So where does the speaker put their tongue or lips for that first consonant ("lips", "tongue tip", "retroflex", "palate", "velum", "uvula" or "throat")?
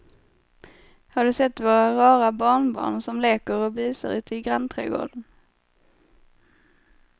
throat